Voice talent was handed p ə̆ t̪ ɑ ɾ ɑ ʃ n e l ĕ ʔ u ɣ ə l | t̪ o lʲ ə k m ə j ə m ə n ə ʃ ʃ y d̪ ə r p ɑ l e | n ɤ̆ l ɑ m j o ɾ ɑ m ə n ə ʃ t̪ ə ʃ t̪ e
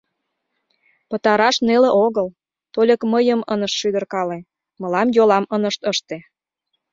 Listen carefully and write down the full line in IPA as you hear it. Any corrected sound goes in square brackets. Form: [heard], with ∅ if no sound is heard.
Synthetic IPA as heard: p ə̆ t̪ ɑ ɾ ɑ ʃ n e l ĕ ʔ [o] ɣ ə l | t̪ o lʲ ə k m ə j ə m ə n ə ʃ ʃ y d̪ ə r [k] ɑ l e | [m] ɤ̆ l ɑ m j o [l] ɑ m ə n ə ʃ t̪ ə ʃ t̪ e